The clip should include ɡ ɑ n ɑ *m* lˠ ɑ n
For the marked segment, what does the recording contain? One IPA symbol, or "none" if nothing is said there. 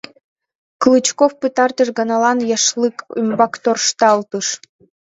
none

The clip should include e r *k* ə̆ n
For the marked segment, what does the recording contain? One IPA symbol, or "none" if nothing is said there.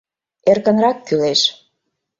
k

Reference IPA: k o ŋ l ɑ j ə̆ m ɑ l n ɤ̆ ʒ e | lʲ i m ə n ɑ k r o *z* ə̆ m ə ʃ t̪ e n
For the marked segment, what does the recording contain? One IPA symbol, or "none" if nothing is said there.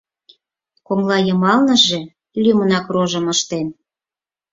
ʒ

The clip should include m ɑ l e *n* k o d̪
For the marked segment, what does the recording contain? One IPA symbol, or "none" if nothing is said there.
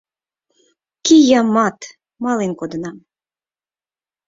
n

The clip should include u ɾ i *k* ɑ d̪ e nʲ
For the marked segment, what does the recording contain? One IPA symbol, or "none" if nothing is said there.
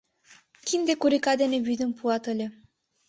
k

